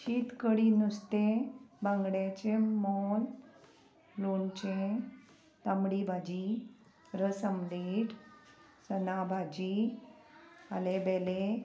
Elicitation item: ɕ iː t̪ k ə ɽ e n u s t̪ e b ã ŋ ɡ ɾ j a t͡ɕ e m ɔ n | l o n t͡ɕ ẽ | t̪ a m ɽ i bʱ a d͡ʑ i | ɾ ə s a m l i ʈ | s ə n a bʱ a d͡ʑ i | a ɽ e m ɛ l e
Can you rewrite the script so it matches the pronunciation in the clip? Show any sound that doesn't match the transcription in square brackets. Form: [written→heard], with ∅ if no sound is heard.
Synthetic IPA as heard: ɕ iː t̪ k ə ɽ [e→i] n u s t̪ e b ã ŋ ɡ [ɾ→ɽ] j a t͡ɕ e m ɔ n | l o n t͡ɕ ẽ | t̪ a m ɽ i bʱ a d͡ʑ i | ɾ ə s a m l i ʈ | s ə n a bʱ a d͡ʑ i | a [ɽ→l] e [m→b] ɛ l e